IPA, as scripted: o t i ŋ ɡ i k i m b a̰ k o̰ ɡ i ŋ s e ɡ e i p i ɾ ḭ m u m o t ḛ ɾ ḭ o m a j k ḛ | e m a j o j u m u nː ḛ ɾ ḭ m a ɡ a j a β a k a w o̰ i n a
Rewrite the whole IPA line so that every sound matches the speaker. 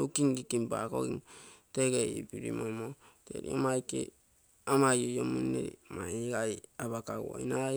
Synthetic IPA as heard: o k i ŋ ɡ i k i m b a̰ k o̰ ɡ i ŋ t e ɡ e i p i ɾ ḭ m o m o t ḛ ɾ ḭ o m a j k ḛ | a m a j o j o m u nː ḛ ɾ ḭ m a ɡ a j a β a k a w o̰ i n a